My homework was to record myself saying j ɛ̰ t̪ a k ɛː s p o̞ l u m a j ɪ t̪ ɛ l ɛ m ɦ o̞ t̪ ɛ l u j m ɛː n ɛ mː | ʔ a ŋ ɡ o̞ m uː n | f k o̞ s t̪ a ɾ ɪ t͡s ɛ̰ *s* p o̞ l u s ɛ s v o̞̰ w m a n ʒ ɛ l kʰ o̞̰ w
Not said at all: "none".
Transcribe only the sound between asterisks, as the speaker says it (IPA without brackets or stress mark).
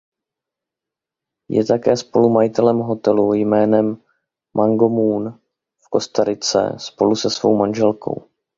s